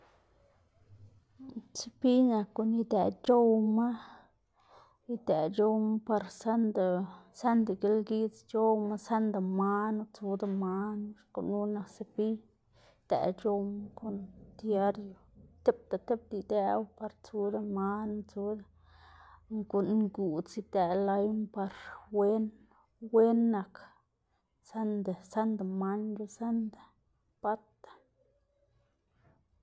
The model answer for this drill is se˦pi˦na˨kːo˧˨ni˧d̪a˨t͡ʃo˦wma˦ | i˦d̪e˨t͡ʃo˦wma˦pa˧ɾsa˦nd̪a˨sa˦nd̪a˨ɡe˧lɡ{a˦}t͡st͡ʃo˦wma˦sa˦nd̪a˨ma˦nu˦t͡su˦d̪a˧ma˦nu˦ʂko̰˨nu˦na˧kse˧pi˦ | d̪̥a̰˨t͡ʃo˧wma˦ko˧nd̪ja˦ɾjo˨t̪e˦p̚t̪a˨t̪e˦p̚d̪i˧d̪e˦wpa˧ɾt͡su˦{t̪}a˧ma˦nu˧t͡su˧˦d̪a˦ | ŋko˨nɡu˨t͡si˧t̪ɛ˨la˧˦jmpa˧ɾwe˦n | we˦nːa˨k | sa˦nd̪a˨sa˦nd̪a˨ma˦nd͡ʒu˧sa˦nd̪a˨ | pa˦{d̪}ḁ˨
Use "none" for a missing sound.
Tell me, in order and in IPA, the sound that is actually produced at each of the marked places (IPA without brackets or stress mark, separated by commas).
i˦, d̪, t̪